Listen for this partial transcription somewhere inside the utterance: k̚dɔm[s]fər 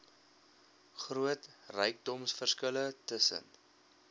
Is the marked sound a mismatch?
no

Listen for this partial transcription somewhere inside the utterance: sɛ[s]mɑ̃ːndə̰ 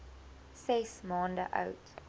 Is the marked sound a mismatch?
no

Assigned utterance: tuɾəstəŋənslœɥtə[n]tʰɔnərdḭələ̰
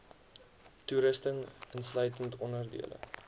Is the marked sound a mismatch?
no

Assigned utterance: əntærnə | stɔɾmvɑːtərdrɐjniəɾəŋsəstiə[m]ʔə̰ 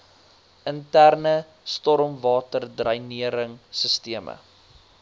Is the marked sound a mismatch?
no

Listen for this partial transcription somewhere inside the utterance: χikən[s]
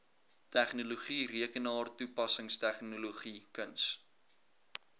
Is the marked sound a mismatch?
no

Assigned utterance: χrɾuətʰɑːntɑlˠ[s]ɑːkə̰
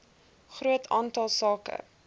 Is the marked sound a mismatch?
no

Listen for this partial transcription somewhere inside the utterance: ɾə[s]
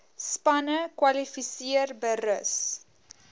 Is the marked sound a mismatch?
no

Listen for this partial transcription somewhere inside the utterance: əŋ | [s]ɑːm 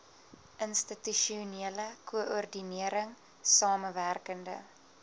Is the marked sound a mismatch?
no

